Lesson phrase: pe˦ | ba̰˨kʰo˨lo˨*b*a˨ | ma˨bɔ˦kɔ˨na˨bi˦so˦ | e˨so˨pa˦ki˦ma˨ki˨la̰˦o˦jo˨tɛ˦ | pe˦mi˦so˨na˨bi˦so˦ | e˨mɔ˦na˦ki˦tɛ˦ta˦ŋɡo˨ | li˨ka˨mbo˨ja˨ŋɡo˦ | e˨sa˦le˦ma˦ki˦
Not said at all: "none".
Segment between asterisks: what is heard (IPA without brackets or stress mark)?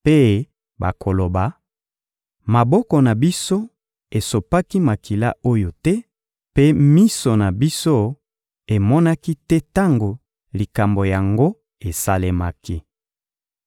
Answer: b